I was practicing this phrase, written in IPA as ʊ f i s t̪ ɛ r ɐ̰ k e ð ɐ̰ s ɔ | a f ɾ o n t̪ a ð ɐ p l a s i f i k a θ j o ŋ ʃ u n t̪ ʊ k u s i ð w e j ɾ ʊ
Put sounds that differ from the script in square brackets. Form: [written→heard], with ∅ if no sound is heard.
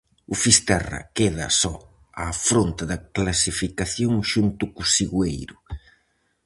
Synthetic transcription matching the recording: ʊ f i s t̪ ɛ r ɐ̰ k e ð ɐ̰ s ɔ | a f ɾ o n t̪ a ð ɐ [p→k] l a s i f i k a θ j o ŋ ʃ u n t̪ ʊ k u s i [ð→ɣ] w e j ɾ ʊ